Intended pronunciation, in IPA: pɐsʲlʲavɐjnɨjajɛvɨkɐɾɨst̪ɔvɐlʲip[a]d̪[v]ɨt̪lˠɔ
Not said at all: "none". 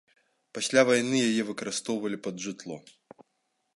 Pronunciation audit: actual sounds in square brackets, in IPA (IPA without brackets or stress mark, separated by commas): ɐ, ʐ